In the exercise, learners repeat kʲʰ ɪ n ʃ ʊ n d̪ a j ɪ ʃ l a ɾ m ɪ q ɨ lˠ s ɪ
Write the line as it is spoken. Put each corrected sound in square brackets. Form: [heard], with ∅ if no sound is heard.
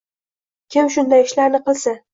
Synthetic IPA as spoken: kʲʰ ɪ [m] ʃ ʊ n d̪ a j ɪ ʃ l a ɾ [n] ɪ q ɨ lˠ s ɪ